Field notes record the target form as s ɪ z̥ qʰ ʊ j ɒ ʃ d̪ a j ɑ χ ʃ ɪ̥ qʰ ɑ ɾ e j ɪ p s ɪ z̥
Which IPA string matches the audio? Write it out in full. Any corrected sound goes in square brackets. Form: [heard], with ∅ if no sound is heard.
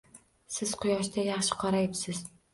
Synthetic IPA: s ɪ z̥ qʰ ʊ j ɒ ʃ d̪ a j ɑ χ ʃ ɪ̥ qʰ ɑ ɾ [a] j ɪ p s ɪ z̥